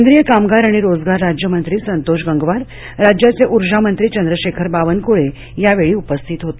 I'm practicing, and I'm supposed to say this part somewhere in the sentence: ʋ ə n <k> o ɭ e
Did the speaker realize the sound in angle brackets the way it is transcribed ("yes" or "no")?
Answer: yes